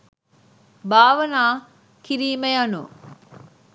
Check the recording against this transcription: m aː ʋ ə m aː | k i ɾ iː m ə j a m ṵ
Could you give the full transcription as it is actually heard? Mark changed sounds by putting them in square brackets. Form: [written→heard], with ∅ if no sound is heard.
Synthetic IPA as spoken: [m→b] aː ʋ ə [m→n] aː | k i ɾ iː m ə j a [m→n] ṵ